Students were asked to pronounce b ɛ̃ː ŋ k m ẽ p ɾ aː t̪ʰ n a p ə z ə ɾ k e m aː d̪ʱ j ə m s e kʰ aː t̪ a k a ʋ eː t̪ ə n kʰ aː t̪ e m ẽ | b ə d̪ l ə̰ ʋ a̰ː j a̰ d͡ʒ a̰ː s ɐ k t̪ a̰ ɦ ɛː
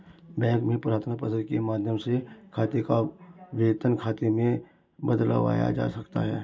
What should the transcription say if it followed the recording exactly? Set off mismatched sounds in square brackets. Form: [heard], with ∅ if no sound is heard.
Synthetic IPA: b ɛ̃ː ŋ k m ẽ p ɾ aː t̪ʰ n a p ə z ə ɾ k e m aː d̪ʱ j ə m s e kʰ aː t̪ [e] k a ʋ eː t̪ ə n kʰ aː t̪ e m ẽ | b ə d̪ l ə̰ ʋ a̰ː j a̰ d͡ʒ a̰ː s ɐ k t̪ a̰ ɦ ɛː

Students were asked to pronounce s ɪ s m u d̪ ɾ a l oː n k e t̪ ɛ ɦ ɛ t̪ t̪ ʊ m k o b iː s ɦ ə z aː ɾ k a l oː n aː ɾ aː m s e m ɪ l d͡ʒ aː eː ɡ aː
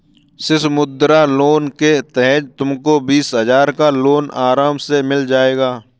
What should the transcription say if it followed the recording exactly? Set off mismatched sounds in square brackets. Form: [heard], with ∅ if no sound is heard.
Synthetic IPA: s ɪ s m [ʊ] d̪ ɾ a l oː n k e t̪ ɛ ɦ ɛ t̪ t̪ ʊ m k o b iː s ɦ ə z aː ɾ k a l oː n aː ɾ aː m s e m ɪ l d͡ʒ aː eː ɡ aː

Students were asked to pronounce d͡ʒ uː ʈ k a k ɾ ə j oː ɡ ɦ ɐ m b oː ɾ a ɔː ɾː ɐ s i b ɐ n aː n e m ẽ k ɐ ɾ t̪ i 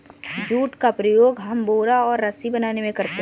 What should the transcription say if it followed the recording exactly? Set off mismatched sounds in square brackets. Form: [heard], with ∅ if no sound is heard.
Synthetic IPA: d͡ʒ uː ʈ k a [p] ɾ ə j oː ɡ ɦ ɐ m b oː ɾ a ɔː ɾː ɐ s i b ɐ n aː n e m ẽ k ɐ ɾ t̪ [e]

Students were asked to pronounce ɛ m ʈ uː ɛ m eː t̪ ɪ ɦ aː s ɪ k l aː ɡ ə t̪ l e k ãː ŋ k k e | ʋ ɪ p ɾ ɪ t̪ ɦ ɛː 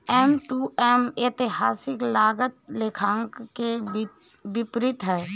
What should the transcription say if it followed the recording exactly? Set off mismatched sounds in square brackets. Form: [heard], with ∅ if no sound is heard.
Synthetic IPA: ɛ m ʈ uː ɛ m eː t̪ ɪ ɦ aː s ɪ k l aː ɡ ə t̪ l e [kʰ] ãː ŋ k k e | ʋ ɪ p ɾ ɪ t̪ ɦ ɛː

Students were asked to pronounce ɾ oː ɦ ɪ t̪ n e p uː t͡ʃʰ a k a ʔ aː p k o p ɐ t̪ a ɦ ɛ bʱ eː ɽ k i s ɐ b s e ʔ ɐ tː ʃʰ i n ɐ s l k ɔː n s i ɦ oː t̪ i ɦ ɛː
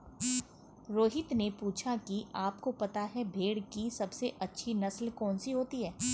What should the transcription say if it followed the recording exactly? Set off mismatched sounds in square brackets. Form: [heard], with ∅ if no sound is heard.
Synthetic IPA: ɾ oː ɦ ɪ t̪ n e p uː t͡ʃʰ a k [i] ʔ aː p k o p ɐ t̪ a ɦ ɛ bʱ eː ɽ k i s ɐ b s e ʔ ɐ tː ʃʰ i n ɐ s l k ɔː n s i ɦ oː t̪ i ɦ ɛː

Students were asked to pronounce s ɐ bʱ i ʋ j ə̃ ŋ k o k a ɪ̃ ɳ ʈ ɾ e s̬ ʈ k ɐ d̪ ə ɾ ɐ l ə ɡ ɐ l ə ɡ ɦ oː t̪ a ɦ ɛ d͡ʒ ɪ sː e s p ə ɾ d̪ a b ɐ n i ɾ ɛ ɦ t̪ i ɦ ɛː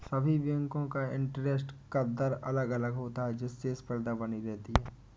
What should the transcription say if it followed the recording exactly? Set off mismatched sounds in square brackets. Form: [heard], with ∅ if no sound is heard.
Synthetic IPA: s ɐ bʱ i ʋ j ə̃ ŋ k [õ] k a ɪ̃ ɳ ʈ ɾ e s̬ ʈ k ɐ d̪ ə ɾ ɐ l ə ɡ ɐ l ə ɡ ɦ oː t̪ a ɦ ɛ d͡ʒ ɪ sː e s p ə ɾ d̪ a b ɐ n i ɾ ɛ ɦ t̪ i ɦ ɛː

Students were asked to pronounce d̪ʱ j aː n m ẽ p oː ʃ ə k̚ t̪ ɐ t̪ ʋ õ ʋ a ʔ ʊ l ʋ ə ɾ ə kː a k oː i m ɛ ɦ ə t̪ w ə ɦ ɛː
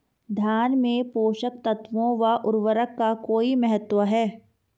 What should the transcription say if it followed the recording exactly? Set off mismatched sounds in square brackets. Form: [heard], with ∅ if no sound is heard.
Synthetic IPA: d̪ʱ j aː n m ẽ p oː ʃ ə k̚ t̪ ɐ t̪ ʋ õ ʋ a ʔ ʊ [ɾ] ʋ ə ɾ ə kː a k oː i m ɛ ɦ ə t̪ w ə ɦ ɛː

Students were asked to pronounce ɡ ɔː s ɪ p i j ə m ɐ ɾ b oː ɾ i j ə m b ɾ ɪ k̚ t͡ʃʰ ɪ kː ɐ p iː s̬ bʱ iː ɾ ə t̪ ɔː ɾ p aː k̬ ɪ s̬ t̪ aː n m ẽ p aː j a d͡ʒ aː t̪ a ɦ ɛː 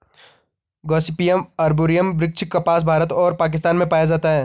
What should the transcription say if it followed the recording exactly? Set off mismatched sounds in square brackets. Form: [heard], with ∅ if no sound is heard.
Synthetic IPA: ɡ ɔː s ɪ p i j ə m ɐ ɾ b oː ɾ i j ə m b ɾ ɪ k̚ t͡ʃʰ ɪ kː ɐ p [aː] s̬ bʱ [aː] ɾ ə t̪ ɔː ɾ p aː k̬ ɪ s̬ t̪ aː n m ẽ p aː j a d͡ʒ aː t̪ a ɦ ɛː

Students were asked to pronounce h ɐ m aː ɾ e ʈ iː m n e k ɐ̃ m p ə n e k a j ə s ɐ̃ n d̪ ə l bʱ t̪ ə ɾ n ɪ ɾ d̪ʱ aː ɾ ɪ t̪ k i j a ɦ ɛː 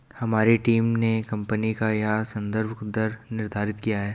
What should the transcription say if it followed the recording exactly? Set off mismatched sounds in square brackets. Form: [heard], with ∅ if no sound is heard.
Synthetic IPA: h ɐ m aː ɾ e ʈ iː m n e k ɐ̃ m p ə n [i] k a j [a] s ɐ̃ n d̪ ə [ɾ] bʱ [d̪] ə ɾ n ɪ ɾ d̪ʱ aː ɾ ɪ t̪ k i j a ɦ ɛː

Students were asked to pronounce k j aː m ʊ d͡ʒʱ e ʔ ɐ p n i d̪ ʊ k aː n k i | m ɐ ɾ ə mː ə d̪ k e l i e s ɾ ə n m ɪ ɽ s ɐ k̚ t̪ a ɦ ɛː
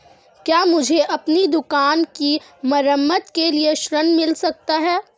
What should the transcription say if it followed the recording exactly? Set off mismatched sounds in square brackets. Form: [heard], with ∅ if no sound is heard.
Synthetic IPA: k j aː m ʊ d͡ʒʱ e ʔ ɐ p n i d̪ ʊ k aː n k i | m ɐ ɾ ə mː ə [t̪] k e l i e [ʃ] ɾ ə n m ɪ [l] s ɐ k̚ t̪ a ɦ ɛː

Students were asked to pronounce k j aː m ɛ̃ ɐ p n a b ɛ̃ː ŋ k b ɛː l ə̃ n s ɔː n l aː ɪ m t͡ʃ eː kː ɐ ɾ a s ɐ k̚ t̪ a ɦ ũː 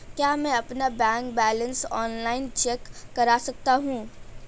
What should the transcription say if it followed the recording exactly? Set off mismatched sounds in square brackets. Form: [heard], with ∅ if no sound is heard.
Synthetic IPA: k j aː m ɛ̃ ɐ p n a b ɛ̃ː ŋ k b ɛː l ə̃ n s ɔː n l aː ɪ [n] t͡ʃ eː kː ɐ ɾ a s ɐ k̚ t̪ a ɦ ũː

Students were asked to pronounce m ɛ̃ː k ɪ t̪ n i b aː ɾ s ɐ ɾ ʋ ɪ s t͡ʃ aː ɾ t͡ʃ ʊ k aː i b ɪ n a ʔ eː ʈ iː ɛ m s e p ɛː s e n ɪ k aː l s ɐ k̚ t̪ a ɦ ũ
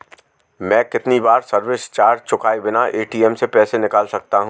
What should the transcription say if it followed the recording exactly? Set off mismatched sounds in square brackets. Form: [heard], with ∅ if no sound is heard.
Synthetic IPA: m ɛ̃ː k ɪ t̪ n i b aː ɾ s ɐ ɾ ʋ ɪ s t͡ʃ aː ɾ t͡ʃ ʊ k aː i b ɪ n a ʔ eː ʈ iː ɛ m s e p ɛː s e n ɪ k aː l s ɐ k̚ t̪ a ɦ ũ

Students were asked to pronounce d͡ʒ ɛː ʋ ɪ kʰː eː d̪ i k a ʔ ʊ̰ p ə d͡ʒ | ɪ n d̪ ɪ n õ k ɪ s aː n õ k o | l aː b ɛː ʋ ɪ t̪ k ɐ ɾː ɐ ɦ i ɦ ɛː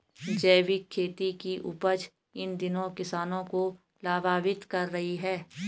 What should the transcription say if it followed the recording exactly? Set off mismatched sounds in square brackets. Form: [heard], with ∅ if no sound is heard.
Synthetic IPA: d͡ʒ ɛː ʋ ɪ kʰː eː [t̪] i k [i] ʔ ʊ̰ p ə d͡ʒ | ɪ n d̪ ɪ n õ k ɪ s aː n õ k o | l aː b [aː] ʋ ɪ t̪ k ɐ ɾː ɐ ɦ i ɦ ɛː

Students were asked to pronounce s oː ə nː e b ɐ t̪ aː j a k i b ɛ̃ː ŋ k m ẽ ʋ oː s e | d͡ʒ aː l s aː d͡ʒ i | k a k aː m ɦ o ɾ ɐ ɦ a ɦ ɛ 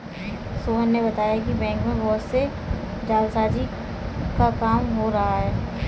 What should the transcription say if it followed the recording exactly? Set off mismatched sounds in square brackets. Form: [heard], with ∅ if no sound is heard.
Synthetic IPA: s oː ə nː e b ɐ t̪ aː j a k i b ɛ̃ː ŋ k m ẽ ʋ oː s e | d͡ʒ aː l s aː d͡ʒ i | k a k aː m ɦ o ɾ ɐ ɦ a ɦ [ɛː]

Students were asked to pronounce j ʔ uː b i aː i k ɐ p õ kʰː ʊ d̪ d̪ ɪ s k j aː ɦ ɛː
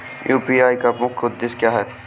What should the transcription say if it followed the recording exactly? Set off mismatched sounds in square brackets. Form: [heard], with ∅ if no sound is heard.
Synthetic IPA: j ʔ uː [p] i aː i k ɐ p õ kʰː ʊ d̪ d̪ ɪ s k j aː ɦ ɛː

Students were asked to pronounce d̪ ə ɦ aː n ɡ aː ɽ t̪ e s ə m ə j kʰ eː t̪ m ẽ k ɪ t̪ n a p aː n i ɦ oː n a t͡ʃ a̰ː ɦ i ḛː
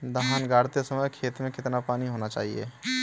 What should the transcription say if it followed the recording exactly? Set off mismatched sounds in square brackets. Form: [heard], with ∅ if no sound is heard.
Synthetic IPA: d̪ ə ɦ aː n ɡ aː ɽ t̪ e s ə m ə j kʰ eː t̪ m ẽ k ɪ t̪ n a p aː n i ɦ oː n a t͡ʃ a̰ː ɦ i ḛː

